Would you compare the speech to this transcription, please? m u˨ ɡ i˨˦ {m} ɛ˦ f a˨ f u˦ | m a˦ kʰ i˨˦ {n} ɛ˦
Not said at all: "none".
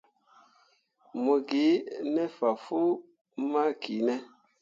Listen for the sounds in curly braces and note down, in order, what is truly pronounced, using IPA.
n, n

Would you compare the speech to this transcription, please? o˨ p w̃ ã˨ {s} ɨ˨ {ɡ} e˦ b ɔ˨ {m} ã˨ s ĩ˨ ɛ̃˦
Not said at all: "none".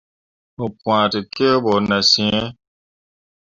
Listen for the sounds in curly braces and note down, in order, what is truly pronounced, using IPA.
t, k, n

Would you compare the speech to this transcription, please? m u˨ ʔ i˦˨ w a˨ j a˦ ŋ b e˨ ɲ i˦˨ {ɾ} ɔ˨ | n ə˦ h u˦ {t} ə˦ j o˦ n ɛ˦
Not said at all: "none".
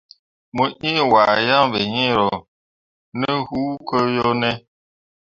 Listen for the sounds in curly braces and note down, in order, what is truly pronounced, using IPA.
ɾ, k

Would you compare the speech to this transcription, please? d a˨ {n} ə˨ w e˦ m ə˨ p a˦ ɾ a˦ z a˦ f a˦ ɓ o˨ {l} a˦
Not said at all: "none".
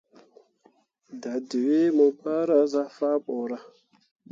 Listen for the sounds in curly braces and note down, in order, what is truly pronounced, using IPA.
d, ɾ

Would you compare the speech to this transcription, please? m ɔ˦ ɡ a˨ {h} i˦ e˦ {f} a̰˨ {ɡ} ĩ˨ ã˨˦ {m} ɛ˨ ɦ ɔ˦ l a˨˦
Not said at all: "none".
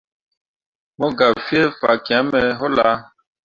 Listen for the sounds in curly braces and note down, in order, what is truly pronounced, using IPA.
f, f, k, m

